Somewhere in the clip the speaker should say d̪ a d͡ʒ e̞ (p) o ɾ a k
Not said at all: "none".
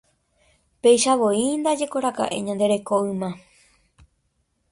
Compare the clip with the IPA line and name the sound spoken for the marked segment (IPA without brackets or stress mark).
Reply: k